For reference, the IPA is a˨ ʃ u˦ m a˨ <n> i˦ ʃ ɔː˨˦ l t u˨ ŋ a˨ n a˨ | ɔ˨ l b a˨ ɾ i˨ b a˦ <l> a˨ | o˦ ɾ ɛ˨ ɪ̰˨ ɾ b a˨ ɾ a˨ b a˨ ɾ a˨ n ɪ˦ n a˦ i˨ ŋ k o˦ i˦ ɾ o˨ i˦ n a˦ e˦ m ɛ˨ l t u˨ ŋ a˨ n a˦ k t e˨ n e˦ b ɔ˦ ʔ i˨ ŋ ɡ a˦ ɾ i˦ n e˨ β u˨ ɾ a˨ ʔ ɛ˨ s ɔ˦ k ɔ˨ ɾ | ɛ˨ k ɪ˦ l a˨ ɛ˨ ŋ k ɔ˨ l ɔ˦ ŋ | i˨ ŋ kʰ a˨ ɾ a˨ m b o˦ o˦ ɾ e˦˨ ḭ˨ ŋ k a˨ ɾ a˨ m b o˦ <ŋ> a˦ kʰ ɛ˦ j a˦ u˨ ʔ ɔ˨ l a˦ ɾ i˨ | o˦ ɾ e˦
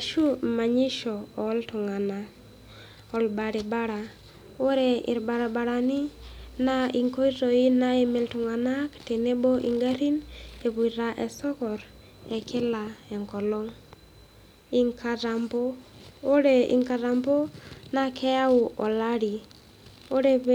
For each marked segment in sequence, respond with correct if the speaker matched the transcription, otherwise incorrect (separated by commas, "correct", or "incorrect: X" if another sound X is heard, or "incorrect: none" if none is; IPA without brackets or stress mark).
incorrect: ɲ, incorrect: ɾ, incorrect: n